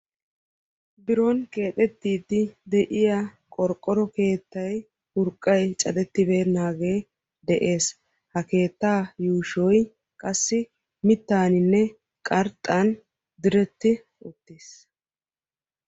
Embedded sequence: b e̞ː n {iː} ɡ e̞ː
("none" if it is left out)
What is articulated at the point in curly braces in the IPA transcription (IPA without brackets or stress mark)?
aː